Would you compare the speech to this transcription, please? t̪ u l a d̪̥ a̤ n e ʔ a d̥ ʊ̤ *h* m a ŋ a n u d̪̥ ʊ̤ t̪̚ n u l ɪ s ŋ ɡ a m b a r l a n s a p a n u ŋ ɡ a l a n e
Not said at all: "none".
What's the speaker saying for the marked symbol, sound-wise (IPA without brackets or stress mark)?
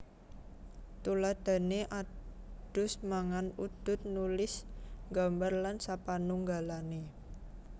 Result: s